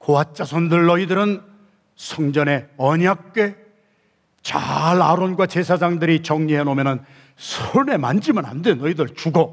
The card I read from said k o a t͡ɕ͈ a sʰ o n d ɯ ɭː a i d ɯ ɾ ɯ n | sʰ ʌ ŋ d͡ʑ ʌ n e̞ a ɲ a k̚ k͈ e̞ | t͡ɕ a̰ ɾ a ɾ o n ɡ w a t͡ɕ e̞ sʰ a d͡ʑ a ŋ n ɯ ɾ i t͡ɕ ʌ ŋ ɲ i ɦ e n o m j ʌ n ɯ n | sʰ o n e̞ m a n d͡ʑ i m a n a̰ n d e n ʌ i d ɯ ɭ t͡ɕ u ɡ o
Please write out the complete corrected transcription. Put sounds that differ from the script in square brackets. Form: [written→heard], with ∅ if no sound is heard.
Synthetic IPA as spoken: k o a t͡ɕ͈ a sʰ o n d ɯ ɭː [a→ʌ] i d ɯ ɾ ɯ n | sʰ ʌ ŋ d͡ʑ ʌ n e̞ [a→ʌ] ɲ a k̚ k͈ e̞ | t͡ɕ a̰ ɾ a ɾ o n ɡ w a t͡ɕ e̞ sʰ a d͡ʑ a ŋ [n→d] ɯ ɾ i t͡ɕ ʌ ŋ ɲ i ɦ e n o m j ʌ n ɯ n | sʰ o n e̞ m a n d͡ʑ i m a n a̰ n d e n ʌ i d ɯ ɭ t͡ɕ u ɡ o